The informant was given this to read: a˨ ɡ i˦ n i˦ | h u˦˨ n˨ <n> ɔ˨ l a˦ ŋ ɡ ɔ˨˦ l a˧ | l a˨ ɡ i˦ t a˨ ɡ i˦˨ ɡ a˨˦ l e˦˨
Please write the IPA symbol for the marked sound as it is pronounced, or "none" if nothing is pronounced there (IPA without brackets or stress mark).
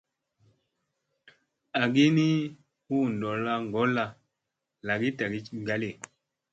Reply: d